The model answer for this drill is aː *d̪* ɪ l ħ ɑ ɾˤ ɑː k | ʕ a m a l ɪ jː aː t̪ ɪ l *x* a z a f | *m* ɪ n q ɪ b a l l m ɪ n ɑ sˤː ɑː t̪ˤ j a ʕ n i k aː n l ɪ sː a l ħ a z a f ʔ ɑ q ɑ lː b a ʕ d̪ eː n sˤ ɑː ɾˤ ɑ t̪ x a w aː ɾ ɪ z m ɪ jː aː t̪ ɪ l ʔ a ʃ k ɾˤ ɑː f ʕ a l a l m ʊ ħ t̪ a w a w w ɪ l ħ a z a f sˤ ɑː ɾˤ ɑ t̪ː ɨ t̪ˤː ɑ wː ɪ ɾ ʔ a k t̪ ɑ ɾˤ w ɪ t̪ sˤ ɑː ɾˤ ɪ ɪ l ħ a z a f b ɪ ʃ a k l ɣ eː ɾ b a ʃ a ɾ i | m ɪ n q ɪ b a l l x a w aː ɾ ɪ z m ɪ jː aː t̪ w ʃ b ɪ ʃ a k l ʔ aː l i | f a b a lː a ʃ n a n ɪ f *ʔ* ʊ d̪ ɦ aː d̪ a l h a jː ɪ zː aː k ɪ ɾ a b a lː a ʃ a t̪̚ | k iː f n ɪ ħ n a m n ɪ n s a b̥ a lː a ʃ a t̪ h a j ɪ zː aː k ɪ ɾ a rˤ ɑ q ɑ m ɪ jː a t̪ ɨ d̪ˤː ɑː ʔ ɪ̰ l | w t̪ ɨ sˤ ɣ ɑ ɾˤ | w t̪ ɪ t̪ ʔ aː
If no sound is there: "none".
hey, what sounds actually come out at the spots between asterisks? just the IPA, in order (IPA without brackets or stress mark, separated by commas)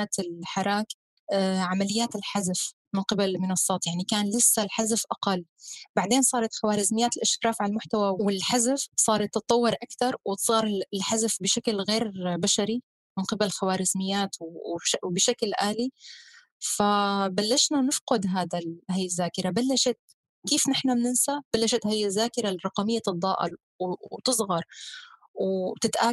t̪, ħ, m, q